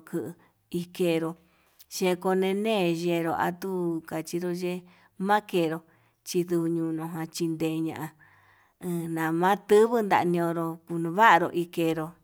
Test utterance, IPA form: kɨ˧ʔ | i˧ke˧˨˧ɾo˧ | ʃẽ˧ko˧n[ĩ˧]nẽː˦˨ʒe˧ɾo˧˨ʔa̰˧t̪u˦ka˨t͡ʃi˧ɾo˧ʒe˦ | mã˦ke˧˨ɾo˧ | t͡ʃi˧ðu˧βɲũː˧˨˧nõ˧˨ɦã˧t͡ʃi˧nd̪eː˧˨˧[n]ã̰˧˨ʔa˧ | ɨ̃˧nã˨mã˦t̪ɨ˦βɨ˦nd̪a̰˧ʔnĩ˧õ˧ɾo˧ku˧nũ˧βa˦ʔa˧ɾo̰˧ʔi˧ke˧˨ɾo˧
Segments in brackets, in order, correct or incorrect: incorrect, incorrect

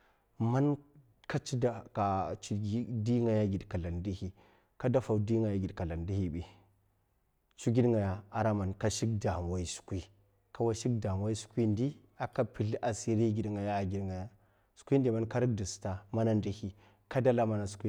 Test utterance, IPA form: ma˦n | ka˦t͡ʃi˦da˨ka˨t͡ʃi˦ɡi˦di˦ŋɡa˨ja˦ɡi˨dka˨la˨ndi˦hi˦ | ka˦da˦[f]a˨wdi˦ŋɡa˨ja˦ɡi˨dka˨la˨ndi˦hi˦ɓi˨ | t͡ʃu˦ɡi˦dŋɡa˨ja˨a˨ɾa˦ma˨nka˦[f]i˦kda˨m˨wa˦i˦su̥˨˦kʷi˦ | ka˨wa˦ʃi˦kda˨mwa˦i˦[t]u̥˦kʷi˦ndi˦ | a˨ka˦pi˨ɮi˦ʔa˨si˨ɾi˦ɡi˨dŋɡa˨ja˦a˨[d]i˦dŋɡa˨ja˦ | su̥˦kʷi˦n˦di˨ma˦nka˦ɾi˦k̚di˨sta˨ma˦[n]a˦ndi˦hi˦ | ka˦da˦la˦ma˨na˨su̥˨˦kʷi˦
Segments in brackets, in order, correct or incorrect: correct, incorrect, incorrect, incorrect, correct

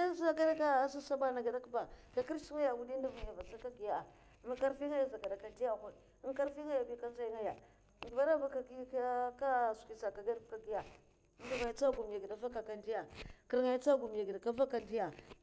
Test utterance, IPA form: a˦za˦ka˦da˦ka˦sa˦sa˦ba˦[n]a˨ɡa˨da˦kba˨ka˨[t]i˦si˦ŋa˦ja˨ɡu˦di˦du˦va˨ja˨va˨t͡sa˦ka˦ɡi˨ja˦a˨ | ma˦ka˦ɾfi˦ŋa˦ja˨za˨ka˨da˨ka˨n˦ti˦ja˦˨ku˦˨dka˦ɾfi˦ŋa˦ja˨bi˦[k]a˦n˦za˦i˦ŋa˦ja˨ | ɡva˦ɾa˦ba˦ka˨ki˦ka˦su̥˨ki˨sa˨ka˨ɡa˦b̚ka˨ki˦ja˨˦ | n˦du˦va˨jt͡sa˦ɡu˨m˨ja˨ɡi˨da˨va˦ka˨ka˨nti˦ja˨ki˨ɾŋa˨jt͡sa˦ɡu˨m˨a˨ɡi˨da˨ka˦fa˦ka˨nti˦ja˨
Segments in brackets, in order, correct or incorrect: correct, incorrect, correct

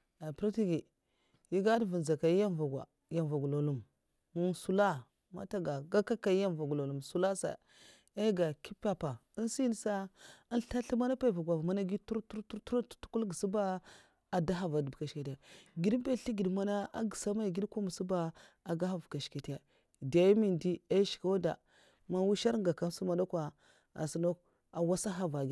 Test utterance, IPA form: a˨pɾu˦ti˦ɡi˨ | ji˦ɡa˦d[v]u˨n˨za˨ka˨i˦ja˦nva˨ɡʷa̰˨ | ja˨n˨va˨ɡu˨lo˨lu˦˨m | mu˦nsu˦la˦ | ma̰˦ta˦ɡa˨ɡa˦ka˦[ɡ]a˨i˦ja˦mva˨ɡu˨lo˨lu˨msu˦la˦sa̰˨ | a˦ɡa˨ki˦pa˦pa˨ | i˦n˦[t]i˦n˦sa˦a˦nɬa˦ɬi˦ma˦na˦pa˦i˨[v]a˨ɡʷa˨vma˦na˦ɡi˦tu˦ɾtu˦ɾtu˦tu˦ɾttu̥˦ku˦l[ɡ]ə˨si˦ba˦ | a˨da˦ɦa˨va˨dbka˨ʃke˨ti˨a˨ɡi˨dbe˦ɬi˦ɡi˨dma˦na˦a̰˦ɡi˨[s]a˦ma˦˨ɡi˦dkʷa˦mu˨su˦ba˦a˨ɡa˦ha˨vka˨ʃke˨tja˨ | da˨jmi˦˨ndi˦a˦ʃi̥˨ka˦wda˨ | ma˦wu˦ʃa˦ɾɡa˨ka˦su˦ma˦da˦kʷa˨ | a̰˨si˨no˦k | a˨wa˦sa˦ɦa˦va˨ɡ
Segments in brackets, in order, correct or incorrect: correct, incorrect, incorrect, correct, correct, correct

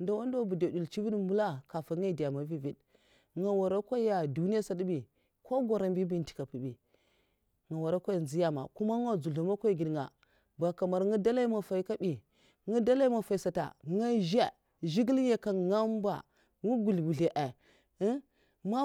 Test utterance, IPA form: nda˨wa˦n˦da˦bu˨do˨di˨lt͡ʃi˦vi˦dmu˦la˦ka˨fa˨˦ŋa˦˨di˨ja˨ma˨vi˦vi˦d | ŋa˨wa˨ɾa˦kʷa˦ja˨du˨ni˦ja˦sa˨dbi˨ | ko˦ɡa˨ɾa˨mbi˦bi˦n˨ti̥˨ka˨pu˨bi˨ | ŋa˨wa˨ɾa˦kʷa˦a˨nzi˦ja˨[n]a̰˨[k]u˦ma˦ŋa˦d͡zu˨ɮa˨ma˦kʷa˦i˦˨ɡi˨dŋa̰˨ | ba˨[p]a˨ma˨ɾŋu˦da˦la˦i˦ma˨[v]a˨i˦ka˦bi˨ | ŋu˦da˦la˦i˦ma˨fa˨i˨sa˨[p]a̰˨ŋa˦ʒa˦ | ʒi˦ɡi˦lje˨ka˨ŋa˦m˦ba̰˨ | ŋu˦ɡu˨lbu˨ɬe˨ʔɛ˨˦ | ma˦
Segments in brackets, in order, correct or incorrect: incorrect, correct, incorrect, incorrect, incorrect

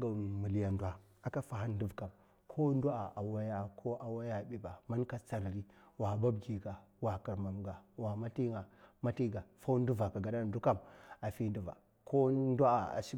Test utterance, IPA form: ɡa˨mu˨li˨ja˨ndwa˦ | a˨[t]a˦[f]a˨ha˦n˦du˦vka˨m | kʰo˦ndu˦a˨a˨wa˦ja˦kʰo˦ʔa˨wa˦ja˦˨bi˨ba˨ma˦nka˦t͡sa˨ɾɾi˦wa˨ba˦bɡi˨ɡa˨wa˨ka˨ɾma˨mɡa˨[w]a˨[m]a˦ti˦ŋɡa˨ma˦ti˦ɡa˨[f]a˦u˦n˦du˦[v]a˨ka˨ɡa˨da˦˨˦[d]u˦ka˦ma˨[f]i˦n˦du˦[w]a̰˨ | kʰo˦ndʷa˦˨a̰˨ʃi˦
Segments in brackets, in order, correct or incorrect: incorrect, correct, correct, correct, correct, correct, correct, correct, incorrect

